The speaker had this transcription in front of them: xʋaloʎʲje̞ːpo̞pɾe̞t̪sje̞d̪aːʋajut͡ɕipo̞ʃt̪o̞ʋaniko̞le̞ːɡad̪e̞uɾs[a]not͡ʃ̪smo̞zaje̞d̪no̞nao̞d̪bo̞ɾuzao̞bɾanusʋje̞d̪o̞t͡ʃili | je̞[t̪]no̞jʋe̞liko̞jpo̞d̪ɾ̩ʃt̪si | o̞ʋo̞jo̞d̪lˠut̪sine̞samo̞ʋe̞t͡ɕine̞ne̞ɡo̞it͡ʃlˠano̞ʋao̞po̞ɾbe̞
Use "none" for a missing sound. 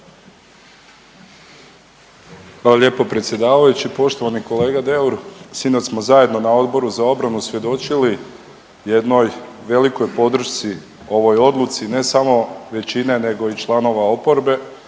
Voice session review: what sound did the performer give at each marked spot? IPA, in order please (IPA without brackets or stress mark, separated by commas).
i, d̪